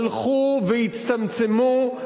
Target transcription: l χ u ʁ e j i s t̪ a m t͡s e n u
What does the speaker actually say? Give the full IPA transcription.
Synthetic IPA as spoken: l χ u v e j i t͡s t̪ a m t͡s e m u